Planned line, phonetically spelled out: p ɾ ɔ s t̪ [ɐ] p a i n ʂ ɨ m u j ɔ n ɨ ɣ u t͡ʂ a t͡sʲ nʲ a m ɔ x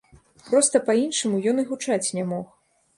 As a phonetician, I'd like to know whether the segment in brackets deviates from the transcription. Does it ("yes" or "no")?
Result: no